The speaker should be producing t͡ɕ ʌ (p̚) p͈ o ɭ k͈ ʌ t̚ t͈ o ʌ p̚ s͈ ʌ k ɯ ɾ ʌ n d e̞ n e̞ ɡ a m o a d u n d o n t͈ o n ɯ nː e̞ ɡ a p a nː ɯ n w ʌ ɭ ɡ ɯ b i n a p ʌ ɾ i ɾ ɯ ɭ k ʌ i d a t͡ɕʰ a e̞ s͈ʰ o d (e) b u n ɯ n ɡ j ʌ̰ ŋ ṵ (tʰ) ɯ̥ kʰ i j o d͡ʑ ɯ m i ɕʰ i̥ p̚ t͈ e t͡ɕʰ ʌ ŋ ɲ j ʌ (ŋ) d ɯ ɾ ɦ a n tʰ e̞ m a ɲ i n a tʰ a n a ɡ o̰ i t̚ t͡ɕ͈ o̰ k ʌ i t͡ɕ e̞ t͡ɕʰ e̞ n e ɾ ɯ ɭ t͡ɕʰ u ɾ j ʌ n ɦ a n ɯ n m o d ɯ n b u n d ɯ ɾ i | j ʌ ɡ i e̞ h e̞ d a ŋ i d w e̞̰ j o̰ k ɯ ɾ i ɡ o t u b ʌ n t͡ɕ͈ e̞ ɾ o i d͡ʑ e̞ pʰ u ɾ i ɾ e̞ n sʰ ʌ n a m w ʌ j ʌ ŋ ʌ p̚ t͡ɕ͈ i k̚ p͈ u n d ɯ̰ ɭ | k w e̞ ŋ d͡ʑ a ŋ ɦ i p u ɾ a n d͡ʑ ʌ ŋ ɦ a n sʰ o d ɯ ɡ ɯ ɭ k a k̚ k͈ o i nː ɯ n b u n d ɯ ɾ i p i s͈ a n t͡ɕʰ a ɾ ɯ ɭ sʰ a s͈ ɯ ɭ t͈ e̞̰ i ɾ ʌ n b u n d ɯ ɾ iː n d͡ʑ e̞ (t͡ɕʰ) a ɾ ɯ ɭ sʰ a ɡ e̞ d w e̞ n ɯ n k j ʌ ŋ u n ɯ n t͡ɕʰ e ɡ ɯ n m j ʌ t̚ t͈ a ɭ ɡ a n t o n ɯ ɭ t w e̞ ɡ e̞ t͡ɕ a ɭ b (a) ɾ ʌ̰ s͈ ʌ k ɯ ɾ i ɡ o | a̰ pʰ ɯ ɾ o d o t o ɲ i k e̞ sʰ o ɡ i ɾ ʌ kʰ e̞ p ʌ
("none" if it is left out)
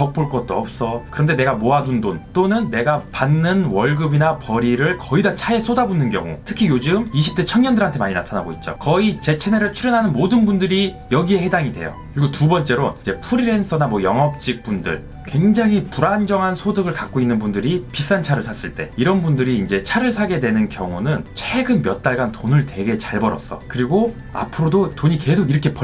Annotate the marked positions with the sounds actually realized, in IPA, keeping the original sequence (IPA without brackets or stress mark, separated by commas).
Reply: k̚, a, tʰ, n, t͡ɕʰ, ʌ